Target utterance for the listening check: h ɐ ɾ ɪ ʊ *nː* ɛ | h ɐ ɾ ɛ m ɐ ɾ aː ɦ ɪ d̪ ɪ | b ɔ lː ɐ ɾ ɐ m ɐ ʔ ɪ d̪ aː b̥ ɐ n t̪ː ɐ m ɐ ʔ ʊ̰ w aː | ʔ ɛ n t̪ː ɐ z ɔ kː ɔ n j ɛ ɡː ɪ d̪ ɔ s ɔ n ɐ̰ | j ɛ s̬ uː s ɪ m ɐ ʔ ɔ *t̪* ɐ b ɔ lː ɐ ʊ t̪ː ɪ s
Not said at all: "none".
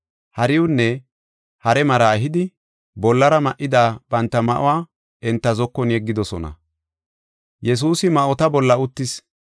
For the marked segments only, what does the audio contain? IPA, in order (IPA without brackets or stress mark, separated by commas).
nː, t̪